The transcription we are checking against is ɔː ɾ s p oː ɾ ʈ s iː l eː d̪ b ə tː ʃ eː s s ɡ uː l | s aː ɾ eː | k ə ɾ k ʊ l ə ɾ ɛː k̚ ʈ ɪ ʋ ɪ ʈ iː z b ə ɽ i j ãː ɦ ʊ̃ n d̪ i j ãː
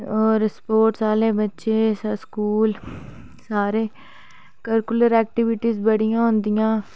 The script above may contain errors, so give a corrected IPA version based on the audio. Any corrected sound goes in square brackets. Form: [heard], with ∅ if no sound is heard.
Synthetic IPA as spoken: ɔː ɾ s p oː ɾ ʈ s [aː] l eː [∅] b ə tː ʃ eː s s [k] uː l | s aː ɾ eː | k ə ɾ k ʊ l ə ɾ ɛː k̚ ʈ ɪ ʋ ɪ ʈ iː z b ə ɽ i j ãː ɦ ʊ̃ n d̪ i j ãː